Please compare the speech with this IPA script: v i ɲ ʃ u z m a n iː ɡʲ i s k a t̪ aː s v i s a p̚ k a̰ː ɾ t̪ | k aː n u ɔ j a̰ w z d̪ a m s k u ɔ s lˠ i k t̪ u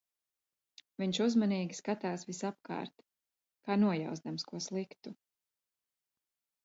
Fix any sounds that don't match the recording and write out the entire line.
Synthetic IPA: v i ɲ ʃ u z m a n iː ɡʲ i s k a t̪ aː s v i s a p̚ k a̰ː ɾ t̪ | k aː n u ɔ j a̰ w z d̪ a m s k u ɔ s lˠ i k t̪ u